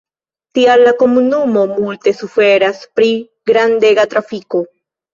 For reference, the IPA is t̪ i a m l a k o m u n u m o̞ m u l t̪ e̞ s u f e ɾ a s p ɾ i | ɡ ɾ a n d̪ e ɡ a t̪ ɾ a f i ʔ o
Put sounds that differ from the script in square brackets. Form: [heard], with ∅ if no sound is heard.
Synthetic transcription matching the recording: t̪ i a [∅] l a k o m u n u m o̞ m u l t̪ e̞ s u f e ɾ a s p ɾ i | ɡ ɾ a n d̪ e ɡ a t̪ ɾ a f i [k] o